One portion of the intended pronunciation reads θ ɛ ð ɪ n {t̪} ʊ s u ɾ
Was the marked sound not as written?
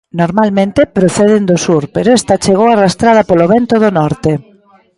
yes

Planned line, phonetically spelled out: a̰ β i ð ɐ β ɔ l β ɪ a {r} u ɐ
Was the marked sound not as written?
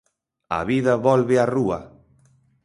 no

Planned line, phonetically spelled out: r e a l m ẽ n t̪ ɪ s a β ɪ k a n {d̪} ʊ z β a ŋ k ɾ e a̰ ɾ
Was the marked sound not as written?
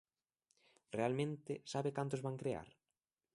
yes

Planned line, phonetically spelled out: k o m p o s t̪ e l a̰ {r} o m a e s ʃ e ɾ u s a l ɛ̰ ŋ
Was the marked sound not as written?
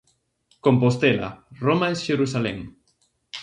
no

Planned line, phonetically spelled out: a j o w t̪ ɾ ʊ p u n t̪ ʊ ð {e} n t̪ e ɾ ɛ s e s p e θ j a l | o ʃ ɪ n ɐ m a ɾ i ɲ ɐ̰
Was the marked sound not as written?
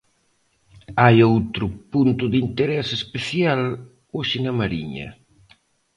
yes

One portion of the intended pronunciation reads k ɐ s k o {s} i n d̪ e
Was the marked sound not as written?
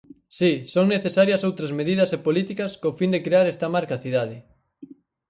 yes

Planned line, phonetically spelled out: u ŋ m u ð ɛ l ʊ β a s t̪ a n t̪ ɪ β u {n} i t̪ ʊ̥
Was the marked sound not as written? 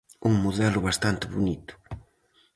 no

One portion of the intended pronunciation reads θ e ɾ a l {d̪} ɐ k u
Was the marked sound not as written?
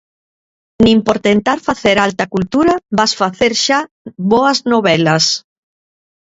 yes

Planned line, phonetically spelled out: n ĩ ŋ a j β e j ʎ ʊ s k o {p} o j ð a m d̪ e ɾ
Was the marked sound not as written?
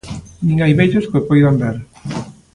no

